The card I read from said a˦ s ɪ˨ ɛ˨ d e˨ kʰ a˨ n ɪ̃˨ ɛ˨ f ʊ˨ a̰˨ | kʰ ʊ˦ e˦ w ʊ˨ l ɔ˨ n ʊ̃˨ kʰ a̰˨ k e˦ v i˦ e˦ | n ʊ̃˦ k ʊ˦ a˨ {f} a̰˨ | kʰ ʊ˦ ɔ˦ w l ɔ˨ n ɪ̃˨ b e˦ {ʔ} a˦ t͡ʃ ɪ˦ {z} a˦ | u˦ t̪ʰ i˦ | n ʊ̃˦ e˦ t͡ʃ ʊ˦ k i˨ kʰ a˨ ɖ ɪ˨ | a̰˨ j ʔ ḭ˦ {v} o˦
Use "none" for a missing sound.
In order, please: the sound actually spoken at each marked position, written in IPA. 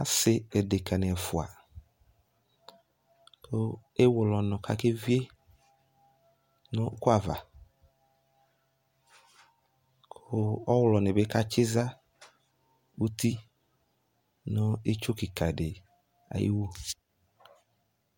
v, k, z, w

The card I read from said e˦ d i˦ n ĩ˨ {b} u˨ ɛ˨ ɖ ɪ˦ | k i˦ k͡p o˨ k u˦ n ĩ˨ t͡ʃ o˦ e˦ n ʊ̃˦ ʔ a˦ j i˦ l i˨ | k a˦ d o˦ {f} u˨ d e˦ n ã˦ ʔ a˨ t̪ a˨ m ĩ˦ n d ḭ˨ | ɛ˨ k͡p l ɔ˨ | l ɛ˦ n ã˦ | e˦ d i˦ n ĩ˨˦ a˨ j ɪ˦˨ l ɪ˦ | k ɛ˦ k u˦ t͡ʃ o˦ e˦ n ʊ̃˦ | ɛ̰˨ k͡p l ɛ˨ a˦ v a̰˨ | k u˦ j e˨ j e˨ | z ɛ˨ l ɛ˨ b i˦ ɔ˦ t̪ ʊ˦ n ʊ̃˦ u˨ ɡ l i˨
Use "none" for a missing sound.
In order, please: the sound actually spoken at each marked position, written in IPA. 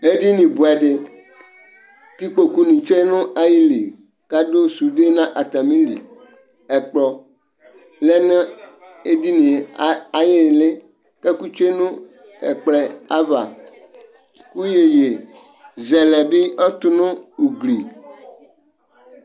b, s

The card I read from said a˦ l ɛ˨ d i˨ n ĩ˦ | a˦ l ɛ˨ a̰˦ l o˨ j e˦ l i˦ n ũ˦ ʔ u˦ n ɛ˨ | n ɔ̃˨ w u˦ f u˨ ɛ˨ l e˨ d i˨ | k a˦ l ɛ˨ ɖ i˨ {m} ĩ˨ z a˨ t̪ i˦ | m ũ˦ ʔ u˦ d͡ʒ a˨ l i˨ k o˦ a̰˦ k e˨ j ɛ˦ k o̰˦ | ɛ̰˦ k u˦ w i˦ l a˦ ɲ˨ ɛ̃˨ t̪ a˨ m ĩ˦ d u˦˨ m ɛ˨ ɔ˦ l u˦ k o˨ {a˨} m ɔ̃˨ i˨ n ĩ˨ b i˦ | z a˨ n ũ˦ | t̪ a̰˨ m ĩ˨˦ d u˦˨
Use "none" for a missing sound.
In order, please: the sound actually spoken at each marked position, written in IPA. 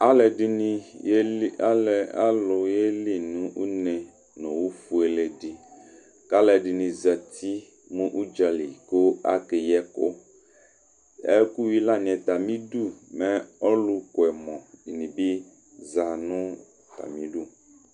n, ɛ˨

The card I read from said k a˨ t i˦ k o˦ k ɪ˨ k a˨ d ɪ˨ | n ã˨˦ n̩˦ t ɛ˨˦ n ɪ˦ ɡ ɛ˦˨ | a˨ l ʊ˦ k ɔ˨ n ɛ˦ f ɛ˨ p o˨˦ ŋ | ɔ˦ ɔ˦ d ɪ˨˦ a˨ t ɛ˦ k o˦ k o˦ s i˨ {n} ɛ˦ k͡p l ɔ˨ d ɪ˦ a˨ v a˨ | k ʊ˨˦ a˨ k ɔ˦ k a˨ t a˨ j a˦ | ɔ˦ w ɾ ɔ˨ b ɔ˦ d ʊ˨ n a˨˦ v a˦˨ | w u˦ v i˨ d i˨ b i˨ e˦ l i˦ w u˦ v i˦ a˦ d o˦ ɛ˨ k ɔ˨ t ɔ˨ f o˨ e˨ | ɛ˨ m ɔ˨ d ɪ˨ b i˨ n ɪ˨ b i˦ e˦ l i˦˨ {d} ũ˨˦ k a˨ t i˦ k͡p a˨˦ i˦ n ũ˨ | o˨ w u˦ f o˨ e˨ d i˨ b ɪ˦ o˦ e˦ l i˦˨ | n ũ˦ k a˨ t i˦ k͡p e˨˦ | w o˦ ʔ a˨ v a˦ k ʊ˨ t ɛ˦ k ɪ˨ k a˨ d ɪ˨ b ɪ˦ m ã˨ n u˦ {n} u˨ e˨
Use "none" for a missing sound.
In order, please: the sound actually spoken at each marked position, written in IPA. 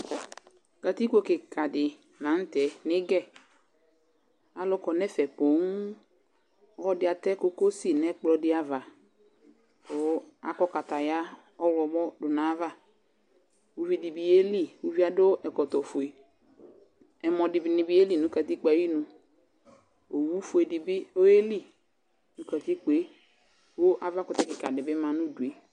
n, n, d

